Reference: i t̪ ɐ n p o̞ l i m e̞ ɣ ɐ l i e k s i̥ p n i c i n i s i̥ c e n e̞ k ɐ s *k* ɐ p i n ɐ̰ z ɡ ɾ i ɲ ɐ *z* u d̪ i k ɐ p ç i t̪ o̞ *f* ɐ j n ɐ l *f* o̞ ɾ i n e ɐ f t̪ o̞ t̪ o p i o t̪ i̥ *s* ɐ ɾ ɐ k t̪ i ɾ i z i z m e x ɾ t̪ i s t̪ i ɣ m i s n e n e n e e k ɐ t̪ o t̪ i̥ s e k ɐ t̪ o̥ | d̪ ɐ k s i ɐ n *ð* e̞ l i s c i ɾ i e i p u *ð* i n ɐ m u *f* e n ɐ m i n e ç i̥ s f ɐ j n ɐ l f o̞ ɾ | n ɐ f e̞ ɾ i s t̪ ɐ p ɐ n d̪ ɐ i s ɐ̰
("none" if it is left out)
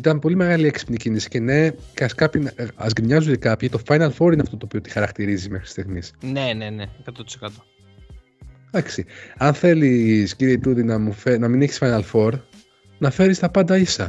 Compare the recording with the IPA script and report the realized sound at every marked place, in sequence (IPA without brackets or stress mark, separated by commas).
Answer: k, z, f, f, x, θ, ð, f